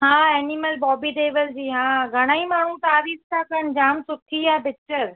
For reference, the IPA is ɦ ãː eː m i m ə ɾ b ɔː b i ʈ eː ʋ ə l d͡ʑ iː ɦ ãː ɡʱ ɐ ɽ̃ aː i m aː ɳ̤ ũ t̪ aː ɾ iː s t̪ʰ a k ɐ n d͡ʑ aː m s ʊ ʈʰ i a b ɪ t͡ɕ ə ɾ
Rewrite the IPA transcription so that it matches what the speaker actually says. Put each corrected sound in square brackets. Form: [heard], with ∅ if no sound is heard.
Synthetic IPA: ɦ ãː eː [n] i m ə [l] b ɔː b i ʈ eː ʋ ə l d͡ʑ iː ɦ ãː ɡʱ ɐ ɽ̃ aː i m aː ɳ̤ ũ t̪ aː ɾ iː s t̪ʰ a k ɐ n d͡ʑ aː m s ʊ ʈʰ i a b ɪ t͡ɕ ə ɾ